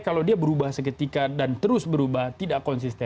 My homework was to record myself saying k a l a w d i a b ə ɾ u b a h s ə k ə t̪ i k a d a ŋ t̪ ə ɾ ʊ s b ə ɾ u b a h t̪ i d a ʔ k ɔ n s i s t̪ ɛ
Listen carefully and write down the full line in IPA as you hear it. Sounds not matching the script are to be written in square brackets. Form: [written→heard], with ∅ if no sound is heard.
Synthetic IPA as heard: k a l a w d i a b ə ɾ u b a h s ə k ə t̪ i k a d a [ŋ→n] t̪ ə ɾ ʊ s b ə ɾ u b a h t̪ i d a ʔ k ɔ n s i s t̪ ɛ